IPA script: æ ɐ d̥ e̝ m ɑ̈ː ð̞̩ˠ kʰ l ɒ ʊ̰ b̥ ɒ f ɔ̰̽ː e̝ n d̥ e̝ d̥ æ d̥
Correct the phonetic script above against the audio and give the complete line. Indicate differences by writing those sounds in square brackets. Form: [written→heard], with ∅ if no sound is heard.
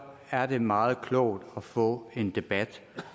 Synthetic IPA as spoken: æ ɐ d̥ e̝ m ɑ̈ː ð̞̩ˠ kʰ l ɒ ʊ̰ [b̥→d̥] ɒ f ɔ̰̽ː e̝ n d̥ e̝ [d̥→b̥] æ d̥